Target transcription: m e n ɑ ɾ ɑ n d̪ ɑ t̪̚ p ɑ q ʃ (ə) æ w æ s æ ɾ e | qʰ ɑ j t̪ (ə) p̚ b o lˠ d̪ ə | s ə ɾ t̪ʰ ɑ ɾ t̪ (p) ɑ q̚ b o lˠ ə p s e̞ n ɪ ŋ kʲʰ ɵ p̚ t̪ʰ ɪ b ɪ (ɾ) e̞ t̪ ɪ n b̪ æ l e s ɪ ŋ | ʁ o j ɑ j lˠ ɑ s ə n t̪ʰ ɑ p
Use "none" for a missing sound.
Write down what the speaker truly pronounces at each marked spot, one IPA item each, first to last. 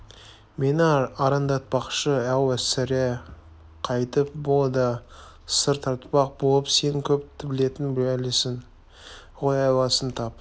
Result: ə, ə, p, l

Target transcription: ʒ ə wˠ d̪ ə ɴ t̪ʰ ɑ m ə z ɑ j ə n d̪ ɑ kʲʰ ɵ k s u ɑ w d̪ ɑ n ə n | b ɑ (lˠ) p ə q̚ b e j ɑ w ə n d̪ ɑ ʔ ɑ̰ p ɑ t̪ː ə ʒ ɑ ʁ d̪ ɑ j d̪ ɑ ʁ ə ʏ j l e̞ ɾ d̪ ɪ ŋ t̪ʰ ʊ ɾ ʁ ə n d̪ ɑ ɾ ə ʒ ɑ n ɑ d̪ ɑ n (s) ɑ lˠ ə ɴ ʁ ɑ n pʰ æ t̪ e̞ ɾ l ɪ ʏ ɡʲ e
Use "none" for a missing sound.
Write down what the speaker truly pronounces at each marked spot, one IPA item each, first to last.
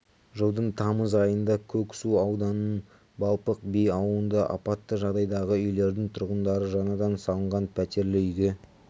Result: lˠ, s

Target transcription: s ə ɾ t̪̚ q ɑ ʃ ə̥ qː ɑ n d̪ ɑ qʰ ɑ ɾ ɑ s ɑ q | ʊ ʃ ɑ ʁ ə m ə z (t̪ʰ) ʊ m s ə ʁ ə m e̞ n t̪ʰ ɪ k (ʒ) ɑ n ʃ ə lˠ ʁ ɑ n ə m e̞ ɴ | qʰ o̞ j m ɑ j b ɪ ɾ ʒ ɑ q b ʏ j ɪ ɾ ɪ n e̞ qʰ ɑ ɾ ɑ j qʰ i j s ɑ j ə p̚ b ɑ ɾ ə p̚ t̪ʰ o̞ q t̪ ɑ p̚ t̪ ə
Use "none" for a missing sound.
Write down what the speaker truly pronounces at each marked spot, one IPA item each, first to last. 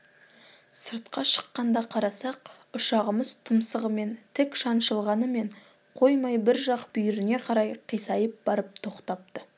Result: t̪ʰ, ʃ

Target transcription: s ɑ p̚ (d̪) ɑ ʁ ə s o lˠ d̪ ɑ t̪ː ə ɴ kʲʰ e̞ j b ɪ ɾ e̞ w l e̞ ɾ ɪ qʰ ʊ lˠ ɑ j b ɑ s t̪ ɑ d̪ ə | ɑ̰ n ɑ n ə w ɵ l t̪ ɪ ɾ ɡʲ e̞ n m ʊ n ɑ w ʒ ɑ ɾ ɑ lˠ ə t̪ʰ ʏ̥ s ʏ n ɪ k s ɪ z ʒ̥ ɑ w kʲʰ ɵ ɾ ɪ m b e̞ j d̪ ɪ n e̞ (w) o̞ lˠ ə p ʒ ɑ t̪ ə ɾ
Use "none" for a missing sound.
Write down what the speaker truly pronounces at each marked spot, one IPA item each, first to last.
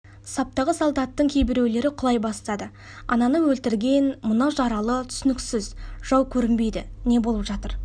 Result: t̪, b

